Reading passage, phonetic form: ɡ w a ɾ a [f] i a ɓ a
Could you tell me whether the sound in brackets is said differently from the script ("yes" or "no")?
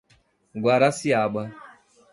yes